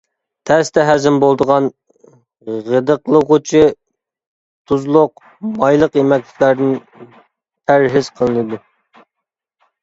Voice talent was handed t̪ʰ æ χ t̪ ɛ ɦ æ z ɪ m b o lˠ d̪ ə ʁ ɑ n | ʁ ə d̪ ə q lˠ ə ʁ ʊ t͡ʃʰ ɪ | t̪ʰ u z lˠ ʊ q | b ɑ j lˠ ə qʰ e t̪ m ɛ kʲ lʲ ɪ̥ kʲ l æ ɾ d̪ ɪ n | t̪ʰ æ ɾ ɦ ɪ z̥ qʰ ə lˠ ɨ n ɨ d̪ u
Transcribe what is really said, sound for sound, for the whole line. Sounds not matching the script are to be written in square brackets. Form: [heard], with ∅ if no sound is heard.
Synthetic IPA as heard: t̪ʰ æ [s] t̪ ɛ ɦ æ z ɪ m b o lˠ d̪ ə ʁ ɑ n | ʁ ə d̪ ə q lˠ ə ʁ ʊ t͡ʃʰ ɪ | t̪ʰ u z lˠ ʊ q | [m] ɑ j lˠ ə [q] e [∅] m ɛ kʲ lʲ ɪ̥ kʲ l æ ɾ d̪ ɪ n | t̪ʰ æ ɾ ɦ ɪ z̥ qʰ ə lˠ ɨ n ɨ d̪ u